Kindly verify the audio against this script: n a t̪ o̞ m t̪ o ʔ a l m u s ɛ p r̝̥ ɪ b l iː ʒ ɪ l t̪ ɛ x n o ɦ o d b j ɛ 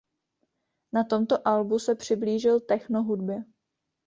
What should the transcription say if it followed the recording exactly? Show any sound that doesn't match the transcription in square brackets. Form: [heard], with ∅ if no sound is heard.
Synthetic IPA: n a t̪ o̞ m t̪ o ʔ a l [b] u s ɛ p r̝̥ ɪ b l iː ʒ ɪ l t̪ ɛ x n o ɦ [u] d b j ɛ

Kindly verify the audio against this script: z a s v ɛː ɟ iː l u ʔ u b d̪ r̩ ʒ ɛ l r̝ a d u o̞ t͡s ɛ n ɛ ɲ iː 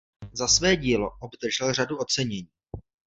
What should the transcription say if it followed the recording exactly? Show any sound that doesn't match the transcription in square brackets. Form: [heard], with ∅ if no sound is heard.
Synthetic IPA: z a s v ɛː ɟ iː l [o] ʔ [o] b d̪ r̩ ʒ ɛ l r̝ a d u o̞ t͡s ɛ [ɲ] ɛ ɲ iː

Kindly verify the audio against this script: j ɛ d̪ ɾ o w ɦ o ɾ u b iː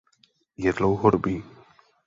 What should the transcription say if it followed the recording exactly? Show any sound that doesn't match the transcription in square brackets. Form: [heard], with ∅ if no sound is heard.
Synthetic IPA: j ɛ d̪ [l] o w ɦ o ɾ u b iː

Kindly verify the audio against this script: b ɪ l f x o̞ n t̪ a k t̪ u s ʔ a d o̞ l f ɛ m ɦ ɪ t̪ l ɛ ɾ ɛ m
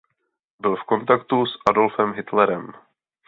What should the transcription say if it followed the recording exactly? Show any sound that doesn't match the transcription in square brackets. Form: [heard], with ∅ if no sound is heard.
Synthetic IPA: b ɪ l f [k] o̞ n t̪ a k t̪ u s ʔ a d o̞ l f ɛ m ɦ ɪ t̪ l ɛ ɾ ɛ m

